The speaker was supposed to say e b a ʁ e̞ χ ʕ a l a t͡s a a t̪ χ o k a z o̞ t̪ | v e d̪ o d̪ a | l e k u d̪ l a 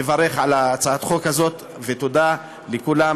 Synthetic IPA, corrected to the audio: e v a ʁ e̞ χ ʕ a l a t͡s a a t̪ χ o k a z o̞ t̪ | v e t̪ o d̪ a | l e k u l a